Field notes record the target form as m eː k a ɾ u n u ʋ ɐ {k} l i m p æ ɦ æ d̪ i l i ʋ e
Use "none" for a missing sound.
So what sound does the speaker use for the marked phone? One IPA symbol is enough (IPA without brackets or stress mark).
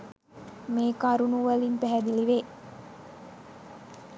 none